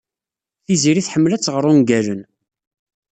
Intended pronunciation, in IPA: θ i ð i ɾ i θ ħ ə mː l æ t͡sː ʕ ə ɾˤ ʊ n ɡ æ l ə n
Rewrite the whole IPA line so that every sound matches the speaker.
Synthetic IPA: θ i z i ɾ i θ ħ ə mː l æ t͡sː ʁ ə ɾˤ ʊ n ɡ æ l ə n